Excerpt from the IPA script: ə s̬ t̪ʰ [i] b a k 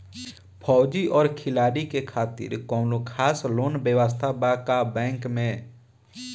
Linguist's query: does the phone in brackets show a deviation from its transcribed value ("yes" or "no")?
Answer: yes